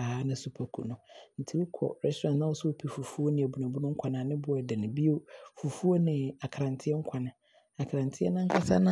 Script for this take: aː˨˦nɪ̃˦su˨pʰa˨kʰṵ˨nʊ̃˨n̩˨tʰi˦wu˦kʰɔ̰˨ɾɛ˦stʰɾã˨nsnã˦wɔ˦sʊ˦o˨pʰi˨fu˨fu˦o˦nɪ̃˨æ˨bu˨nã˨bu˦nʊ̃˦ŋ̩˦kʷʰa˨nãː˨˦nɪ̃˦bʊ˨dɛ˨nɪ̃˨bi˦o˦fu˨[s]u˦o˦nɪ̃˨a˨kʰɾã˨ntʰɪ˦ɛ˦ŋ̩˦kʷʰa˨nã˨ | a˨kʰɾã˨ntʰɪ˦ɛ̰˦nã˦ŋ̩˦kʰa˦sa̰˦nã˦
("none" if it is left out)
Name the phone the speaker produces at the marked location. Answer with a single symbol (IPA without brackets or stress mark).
f